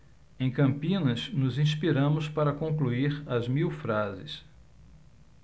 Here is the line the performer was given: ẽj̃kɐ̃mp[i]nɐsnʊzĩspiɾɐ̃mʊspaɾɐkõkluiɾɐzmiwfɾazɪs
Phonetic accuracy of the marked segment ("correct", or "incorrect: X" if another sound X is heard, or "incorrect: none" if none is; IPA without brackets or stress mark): incorrect: ĩ